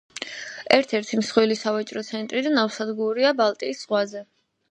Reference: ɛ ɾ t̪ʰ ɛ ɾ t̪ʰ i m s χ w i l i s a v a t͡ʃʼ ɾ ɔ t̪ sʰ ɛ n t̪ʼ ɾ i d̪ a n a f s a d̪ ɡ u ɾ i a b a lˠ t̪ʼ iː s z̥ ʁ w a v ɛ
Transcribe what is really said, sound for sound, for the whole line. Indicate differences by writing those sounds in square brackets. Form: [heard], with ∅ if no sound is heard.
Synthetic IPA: ɛ ɾ t̪ʰ ɛ ɾ t̪ʰ i m s χ w i l i s a v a t͡ʃʼ ɾ ɔ t̪ sʰ ɛ n t̪ʼ ɾ i d̪ a n a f s a d̪ ɡ u ɾ i a b a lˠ t̪ʼ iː s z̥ ʁ w a [z] ɛ